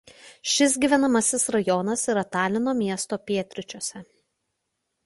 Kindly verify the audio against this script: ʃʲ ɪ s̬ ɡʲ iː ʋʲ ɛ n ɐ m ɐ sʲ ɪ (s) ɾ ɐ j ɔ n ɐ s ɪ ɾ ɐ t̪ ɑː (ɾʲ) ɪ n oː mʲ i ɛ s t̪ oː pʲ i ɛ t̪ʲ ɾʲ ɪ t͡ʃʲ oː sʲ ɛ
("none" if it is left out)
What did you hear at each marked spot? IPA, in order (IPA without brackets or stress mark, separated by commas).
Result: s, lʲ